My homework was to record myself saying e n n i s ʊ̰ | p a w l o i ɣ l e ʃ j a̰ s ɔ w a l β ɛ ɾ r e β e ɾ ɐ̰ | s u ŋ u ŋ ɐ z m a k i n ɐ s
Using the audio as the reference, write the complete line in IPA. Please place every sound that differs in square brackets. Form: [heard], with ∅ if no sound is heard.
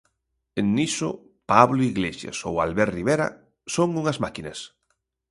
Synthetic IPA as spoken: e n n i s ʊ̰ | p a [β] l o i ɣ l e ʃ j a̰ s [o] w a l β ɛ ɾ r [i] β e ɾ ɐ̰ | s [o] ŋ u ŋ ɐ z m a k i n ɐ s